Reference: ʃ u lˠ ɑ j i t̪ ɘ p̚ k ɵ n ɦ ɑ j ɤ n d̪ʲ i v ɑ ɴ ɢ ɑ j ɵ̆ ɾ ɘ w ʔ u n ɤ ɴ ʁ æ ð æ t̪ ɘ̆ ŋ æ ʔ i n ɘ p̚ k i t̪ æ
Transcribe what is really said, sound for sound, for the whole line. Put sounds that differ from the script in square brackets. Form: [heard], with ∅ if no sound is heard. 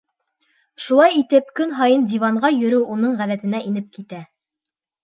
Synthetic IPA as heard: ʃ u lˠ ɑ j i t̪ ɘ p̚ k ɵ n ɦ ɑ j ɤ n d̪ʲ i v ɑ ɴ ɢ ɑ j ɵ̆ ɾ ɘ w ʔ u n ɤ ɴ ʁ æ ð æ t̪ ɘ̆ [n] æ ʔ i n ɘ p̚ k i t̪ æ